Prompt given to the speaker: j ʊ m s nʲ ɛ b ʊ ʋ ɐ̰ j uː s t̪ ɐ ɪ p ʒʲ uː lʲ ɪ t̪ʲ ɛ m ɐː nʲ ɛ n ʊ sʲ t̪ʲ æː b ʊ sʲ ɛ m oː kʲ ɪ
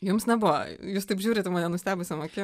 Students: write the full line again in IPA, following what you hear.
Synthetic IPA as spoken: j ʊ m s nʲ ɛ b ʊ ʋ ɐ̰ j uː s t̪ ɐ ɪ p ʒʲ uː ɾʲ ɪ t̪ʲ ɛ m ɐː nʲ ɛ n ʊ sʲ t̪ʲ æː b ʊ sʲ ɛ m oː kʲ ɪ